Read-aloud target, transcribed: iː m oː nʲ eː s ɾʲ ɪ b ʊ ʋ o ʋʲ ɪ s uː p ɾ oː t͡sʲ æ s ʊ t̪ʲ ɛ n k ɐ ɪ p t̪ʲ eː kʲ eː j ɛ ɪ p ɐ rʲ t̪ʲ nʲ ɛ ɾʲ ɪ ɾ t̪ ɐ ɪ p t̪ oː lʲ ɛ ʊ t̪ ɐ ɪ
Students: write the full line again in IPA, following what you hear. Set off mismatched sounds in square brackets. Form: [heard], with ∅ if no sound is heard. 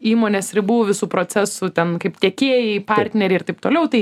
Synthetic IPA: iː m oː nʲ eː s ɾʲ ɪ b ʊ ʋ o ʋʲ ɪ s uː p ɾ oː t͡sʲ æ s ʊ t̪ʲ ɛ n k ɐ ɪ p t̪ʲ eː kʲ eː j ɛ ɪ p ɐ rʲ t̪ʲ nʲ ɛ ɾʲ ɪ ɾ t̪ ɐ ɪ p t̪ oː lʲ ɛ ʊ t̪ ɐ ɪ